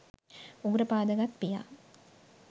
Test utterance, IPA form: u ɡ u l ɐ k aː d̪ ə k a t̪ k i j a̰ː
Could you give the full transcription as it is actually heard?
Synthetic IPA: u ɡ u ɾ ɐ p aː d̪ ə ɡ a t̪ p i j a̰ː